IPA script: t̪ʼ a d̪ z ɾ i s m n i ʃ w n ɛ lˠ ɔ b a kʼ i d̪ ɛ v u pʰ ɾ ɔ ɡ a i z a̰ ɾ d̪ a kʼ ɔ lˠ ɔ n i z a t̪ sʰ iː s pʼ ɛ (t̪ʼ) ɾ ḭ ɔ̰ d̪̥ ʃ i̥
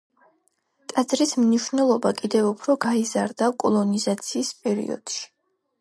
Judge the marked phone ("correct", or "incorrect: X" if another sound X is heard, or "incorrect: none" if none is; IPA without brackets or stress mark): incorrect: none